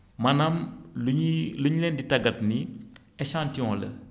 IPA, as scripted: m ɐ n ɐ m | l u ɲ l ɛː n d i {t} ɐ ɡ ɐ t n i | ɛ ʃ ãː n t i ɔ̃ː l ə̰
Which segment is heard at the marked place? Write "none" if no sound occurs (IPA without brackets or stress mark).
t